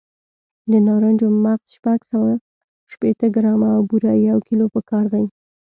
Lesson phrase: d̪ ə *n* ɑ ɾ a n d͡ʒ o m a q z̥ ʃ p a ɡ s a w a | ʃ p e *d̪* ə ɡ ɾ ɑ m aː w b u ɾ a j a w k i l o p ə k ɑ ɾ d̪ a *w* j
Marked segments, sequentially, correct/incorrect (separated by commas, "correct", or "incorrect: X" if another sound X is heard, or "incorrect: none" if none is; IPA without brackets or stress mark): correct, incorrect: t̪, incorrect: none